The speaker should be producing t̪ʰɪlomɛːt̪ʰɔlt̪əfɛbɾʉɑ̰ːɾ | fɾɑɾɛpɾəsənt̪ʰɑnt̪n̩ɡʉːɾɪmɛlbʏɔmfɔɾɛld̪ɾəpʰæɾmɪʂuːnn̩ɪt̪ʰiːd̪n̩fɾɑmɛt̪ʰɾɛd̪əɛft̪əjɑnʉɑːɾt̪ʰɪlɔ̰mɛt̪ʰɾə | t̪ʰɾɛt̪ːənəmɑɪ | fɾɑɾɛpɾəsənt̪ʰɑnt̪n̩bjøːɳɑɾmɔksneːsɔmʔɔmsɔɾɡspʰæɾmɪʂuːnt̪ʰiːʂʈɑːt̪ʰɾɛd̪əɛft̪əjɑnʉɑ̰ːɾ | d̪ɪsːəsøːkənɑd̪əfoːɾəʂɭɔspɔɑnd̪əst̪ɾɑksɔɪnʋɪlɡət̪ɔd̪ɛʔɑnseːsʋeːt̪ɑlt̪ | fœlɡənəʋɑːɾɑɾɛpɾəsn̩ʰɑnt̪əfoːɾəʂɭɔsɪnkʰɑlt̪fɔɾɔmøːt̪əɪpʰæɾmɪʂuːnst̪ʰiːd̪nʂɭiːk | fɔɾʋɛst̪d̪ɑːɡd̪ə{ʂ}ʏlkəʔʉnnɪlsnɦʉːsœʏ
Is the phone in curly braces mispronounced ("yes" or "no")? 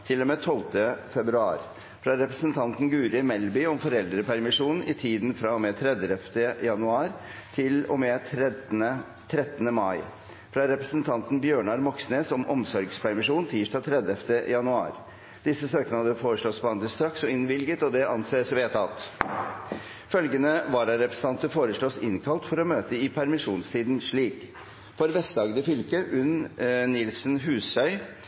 yes